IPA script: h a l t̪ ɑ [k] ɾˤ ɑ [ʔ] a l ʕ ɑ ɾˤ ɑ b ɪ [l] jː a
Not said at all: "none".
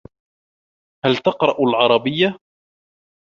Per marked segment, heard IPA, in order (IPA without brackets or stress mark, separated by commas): q, ʔ, none